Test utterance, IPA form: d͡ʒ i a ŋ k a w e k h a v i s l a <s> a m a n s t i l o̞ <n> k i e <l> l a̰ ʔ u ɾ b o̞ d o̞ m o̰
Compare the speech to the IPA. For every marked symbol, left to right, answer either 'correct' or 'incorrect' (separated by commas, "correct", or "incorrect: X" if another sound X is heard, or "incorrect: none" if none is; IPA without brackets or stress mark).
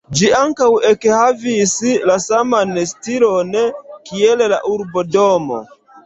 correct, correct, correct